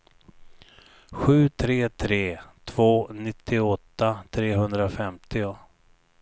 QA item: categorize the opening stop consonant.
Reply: aspirated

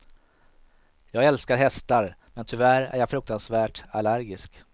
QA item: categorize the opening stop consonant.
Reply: plain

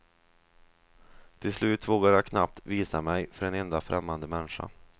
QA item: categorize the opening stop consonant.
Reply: aspirated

